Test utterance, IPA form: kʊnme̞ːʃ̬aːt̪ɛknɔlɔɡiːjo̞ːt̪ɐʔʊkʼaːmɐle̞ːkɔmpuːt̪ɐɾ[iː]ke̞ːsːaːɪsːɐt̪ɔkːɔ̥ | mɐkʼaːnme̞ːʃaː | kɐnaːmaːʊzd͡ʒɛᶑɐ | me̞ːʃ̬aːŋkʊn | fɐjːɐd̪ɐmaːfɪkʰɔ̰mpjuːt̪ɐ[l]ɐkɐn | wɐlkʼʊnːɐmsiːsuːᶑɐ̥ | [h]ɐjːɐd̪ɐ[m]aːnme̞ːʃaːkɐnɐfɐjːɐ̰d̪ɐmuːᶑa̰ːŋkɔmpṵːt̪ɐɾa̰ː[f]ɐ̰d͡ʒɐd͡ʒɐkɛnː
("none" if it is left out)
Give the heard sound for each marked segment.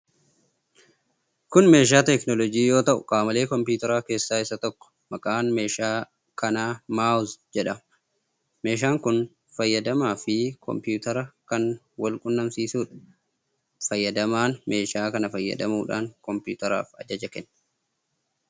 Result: aː, ɾ, f, m, f

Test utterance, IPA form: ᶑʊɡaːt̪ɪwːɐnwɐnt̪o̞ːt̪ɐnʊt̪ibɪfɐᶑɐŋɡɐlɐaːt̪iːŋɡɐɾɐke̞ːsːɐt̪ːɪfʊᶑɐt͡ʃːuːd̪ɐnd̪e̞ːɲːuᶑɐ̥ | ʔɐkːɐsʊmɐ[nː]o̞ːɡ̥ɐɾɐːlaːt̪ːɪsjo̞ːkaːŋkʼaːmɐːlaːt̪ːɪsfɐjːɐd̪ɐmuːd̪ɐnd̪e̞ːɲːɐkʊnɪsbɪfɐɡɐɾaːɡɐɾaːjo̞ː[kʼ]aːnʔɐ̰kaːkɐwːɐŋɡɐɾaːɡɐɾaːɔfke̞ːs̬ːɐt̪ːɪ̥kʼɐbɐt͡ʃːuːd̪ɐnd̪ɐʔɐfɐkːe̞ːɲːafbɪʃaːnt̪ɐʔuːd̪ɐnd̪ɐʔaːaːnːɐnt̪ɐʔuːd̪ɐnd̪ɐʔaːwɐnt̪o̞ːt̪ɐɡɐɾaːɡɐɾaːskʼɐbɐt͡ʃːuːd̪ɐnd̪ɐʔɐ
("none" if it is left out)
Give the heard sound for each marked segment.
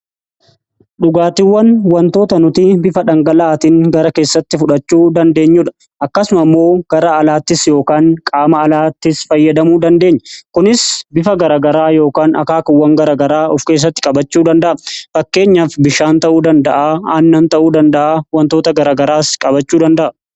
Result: mː, k

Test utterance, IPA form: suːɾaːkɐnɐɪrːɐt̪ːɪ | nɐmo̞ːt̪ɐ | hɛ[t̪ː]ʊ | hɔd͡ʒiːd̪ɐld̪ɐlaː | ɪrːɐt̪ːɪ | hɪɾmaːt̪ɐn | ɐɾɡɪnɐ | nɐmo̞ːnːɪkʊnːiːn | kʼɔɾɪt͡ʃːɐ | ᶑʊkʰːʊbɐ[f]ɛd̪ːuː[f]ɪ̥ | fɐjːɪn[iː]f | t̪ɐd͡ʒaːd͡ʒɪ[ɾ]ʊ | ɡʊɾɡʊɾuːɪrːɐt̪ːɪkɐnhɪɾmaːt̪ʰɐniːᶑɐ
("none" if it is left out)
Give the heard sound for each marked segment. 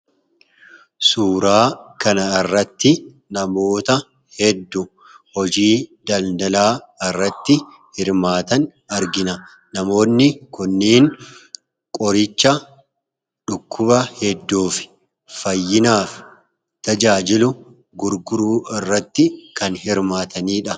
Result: d̪ː, h, f, aː, l

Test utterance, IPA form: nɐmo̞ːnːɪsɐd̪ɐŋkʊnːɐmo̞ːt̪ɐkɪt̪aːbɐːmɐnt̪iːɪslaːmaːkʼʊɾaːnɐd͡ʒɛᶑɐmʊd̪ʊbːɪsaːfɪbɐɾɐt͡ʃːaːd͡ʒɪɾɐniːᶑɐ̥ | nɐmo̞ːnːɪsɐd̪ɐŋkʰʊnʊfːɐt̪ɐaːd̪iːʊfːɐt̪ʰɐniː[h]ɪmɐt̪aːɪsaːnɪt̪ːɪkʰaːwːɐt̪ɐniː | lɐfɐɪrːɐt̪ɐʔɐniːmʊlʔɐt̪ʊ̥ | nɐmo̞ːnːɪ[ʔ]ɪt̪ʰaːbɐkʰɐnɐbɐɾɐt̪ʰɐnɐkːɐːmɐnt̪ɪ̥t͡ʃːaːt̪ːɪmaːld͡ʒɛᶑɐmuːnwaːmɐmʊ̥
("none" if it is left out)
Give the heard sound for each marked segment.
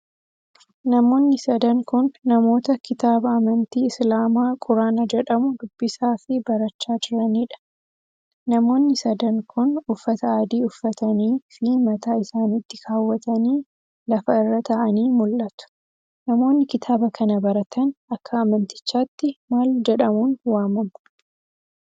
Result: f, k

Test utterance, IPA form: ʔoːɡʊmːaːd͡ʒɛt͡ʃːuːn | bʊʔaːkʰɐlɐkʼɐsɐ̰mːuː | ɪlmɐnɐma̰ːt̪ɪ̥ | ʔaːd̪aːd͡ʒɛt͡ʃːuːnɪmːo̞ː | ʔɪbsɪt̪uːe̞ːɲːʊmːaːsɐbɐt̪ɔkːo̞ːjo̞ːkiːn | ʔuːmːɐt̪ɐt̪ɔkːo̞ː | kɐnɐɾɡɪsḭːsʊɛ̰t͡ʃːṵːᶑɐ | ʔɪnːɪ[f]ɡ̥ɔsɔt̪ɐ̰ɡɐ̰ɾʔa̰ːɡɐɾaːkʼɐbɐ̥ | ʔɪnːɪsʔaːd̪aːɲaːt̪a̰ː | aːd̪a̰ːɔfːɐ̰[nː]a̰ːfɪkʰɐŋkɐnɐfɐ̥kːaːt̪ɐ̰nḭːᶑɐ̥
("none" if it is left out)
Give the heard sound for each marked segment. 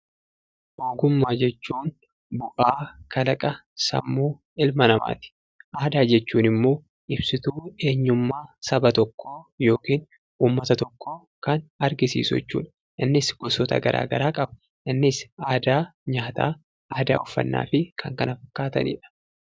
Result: s, nː

